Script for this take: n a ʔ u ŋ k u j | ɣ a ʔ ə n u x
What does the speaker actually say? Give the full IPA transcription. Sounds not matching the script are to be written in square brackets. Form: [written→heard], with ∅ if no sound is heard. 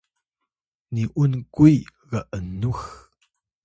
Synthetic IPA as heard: n [a→i] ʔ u [ŋ→n] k u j | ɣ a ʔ ə n u x